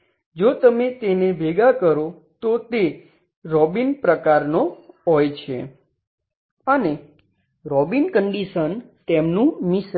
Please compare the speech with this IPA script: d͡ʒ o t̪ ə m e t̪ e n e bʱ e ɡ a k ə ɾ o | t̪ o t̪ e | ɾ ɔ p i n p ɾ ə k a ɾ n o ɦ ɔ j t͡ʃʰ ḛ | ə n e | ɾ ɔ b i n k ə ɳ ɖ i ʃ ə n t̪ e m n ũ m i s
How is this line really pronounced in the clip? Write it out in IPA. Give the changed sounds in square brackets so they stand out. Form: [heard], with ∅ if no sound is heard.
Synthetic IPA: d͡ʒ o t̪ ə m e t̪ e n e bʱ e ɡ a k ə ɾ o | t̪ o t̪ e | ɾ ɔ [b] i n p ɾ ə k a ɾ n o ɦ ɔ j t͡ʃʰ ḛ | ə n e | ɾ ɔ b i n k ə ɳ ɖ i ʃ ə n t̪ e m n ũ m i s